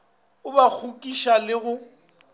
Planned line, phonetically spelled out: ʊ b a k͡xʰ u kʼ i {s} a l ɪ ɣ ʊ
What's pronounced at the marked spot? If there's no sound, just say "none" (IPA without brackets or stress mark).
ʃ